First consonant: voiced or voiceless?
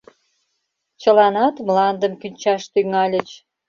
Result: voiceless